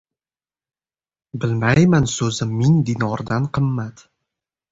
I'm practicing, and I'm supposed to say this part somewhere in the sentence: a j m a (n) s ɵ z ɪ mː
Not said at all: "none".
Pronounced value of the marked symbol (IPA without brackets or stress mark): n